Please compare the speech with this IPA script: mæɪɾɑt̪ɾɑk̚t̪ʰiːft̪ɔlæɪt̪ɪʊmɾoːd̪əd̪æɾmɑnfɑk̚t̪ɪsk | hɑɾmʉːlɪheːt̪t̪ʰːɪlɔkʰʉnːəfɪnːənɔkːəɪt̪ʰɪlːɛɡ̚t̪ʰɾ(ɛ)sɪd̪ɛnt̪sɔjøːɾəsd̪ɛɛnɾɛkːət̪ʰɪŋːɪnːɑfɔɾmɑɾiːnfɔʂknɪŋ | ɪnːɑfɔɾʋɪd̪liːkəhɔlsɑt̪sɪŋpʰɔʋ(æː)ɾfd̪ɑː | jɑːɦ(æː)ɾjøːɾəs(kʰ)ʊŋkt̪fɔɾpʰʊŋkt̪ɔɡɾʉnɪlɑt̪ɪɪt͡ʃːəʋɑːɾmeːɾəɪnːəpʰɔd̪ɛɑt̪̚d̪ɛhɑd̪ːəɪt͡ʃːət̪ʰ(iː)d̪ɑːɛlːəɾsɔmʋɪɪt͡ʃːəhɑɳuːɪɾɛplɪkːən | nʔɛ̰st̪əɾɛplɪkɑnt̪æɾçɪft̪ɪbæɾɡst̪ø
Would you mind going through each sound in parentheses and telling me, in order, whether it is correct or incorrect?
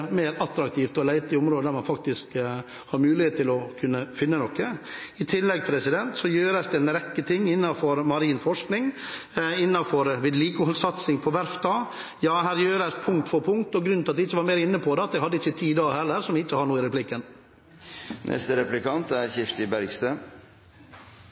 correct, incorrect, correct, incorrect, correct

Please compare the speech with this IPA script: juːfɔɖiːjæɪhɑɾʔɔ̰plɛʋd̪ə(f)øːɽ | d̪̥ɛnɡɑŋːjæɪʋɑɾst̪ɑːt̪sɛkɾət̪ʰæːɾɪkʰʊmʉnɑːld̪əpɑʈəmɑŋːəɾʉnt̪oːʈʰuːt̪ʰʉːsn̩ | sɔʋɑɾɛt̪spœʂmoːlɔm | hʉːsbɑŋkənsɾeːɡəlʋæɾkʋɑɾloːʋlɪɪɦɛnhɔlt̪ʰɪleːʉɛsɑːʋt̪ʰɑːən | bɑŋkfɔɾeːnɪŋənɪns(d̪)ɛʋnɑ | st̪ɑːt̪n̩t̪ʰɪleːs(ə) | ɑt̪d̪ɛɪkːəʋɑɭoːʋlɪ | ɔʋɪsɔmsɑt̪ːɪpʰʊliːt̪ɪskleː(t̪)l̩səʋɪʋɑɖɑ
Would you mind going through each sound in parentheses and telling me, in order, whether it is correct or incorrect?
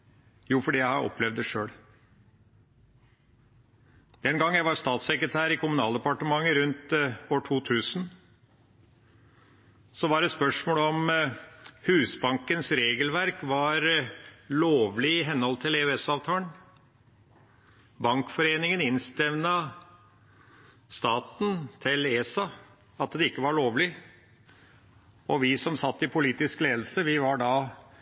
incorrect, incorrect, incorrect, incorrect

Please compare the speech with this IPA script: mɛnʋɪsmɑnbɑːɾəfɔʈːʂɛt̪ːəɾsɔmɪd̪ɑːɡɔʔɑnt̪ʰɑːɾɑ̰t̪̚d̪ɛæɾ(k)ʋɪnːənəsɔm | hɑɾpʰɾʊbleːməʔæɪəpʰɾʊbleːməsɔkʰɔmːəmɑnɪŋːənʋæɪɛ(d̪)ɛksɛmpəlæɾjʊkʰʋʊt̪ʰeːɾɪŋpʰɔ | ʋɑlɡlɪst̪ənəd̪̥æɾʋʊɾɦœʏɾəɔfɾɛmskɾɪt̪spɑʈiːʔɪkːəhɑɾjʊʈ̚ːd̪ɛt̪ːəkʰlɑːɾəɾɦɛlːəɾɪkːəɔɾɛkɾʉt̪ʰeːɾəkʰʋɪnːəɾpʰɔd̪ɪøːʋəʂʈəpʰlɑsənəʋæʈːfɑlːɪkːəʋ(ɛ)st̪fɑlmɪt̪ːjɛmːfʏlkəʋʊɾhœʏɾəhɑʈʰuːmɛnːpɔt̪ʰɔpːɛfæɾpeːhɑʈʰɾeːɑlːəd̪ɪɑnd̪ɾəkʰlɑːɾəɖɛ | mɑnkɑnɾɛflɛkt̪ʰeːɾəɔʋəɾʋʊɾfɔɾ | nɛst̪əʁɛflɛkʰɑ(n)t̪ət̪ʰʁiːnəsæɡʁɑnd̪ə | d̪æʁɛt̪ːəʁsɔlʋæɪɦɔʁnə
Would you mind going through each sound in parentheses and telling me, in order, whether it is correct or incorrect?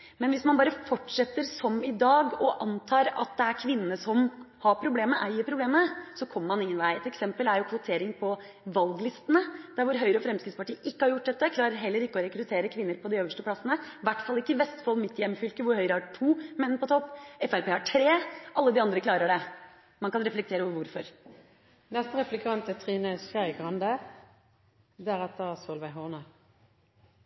incorrect, incorrect, correct, correct

